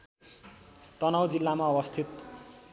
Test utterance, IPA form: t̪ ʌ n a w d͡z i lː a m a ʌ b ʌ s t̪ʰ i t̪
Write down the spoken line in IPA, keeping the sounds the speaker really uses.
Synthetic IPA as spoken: t̪ ʌ n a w d͡z i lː a m a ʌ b ʌ s t̪ʰ i t̪